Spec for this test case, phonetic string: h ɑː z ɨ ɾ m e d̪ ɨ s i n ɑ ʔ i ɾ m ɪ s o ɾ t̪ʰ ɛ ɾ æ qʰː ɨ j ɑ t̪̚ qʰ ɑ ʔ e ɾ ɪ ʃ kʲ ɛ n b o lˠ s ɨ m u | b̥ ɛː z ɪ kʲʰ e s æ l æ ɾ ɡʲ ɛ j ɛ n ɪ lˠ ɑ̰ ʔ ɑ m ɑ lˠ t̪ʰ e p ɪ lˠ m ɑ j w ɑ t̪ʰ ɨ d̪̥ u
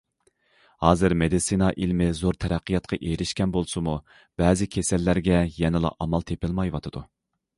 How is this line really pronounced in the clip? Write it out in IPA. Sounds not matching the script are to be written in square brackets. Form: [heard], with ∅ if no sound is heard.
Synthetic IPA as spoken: h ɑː z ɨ ɾ m e d̪ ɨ s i n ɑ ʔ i [l] m ɪ [z] o ɾ t̪ʰ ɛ ɾ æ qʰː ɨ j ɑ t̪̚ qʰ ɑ ʔ e ɾ ɪ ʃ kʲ ɛ n b o lˠ s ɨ m u | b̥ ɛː z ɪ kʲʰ e s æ [lː] æ ɾ ɡʲ ɛ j ɛ n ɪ lˠ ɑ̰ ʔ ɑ m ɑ lˠ t̪ʰ e p ɪ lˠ m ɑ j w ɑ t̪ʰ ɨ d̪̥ u